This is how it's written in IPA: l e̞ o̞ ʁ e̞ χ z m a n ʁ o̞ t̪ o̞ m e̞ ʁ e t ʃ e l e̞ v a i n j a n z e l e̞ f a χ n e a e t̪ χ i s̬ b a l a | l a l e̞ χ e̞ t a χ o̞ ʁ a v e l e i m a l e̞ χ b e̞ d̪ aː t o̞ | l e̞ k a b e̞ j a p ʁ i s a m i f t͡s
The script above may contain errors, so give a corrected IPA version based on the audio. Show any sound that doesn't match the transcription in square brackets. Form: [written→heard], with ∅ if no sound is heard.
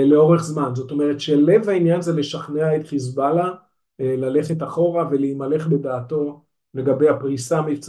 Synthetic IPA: l e̞ o̞ ʁ e̞ χ z m a n [ʁ→z] o̞ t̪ o̞ m e̞ ʁ e t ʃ e l e̞ v a i n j a n z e l e̞ [f→ʃ] a χ n e a e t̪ χ i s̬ b a l a | l a l e̞ χ e̞ t a χ o̞ ʁ a v e l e i m a l e̞ χ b e̞ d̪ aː t o̞ | l e̞ [k→ɡ] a b e̞ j a p ʁ i s a m i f t͡s